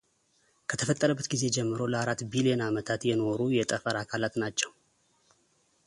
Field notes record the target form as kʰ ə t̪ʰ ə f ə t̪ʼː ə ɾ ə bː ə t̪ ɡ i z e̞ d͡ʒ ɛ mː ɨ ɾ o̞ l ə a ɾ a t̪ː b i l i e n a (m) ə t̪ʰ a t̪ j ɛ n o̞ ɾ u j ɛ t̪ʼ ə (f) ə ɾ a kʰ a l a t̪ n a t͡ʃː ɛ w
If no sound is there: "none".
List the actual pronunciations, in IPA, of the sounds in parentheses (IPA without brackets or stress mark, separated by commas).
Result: m, f